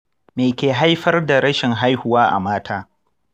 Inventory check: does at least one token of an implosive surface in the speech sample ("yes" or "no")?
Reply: no